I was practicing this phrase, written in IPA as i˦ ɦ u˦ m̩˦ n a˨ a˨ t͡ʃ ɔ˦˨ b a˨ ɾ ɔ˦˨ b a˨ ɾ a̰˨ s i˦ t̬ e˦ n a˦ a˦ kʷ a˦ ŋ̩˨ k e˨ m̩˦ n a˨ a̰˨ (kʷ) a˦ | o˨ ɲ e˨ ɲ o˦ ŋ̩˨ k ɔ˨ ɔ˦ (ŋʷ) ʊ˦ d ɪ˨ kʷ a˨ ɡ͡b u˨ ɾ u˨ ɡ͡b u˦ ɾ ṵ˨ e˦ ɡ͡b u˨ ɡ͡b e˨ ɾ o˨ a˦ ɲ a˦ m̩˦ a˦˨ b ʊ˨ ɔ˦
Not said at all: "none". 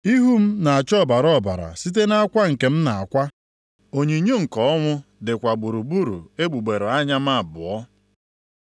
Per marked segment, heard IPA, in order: kʷ, ŋʷ

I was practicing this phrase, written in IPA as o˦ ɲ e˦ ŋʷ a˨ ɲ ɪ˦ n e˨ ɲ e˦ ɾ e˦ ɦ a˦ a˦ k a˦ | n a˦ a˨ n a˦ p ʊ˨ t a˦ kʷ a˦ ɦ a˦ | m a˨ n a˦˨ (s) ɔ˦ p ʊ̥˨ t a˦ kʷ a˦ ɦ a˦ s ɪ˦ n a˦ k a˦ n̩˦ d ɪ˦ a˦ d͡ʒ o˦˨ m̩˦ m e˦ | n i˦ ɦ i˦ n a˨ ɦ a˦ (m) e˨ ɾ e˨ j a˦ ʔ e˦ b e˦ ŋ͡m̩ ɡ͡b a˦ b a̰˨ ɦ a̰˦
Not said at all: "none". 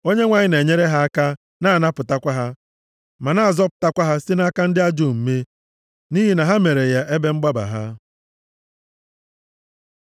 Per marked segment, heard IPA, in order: z, m

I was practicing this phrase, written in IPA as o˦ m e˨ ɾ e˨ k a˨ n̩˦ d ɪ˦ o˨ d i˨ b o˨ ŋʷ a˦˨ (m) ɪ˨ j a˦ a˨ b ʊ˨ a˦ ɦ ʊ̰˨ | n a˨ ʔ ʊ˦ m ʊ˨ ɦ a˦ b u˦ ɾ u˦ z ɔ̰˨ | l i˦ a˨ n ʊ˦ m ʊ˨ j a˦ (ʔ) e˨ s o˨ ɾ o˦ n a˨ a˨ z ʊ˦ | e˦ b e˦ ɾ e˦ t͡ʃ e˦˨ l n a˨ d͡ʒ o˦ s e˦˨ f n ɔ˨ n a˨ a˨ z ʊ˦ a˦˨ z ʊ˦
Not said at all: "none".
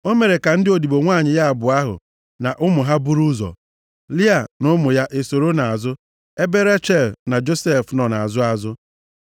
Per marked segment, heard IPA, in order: ɲ, ʔ

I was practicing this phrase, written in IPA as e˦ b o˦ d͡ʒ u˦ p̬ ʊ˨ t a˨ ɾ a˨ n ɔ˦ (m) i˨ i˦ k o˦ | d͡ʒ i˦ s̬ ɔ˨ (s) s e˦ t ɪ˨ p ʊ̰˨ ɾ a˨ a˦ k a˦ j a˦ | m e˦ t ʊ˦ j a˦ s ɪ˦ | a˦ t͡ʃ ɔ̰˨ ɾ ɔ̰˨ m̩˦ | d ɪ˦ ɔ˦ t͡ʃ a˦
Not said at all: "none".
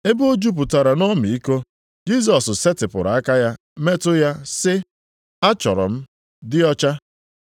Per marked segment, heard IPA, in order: m, s

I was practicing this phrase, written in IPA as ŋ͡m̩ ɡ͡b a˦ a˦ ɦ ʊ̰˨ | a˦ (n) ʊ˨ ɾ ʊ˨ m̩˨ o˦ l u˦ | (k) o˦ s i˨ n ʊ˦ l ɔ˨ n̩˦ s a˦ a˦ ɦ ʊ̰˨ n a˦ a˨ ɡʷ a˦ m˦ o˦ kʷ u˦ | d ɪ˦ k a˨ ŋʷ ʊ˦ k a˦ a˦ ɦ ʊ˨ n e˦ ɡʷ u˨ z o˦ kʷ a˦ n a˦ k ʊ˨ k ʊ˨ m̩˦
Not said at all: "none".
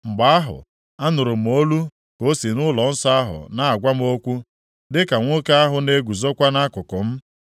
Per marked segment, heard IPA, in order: n, k

